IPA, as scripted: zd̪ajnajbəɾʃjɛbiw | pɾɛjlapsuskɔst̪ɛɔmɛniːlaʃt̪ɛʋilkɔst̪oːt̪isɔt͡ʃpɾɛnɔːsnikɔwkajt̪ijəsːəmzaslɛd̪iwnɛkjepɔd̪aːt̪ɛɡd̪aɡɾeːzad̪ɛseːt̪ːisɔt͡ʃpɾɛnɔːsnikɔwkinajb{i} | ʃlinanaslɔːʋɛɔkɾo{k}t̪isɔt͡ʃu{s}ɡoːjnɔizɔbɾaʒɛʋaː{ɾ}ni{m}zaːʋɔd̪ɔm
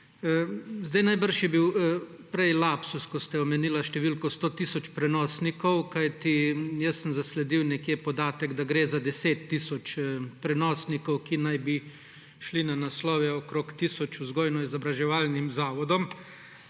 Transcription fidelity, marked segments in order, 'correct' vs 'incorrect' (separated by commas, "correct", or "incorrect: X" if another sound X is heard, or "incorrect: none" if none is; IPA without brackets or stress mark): correct, correct, incorrect: z, incorrect: l, correct